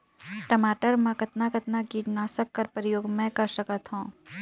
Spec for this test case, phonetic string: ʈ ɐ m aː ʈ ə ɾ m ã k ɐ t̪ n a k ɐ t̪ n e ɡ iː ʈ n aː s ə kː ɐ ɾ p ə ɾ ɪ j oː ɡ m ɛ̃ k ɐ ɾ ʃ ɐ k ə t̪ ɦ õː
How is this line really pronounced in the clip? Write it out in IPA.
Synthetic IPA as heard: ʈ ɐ m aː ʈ ə ɾ m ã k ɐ t̪ n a k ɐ t̪ n a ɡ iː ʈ n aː s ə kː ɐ ɾ p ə ɾ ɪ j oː ɡ m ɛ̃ k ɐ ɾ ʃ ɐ k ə t̪ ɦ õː